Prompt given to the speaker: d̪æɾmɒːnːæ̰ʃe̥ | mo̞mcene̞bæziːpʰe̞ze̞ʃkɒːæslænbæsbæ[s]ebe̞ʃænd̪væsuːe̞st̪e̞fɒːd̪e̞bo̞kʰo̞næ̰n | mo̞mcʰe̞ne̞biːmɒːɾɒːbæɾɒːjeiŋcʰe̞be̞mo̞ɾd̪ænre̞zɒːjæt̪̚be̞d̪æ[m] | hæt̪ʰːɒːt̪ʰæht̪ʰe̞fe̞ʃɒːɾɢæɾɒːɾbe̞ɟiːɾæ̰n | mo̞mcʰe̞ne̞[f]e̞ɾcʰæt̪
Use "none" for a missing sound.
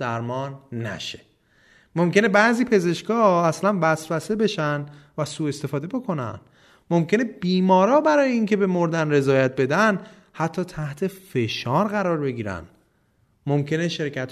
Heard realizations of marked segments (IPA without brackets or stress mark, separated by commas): s, n, ʃ